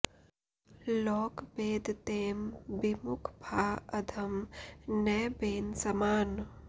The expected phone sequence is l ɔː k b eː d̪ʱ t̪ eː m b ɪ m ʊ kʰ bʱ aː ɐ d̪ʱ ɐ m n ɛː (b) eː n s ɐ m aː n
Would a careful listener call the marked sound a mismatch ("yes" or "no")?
no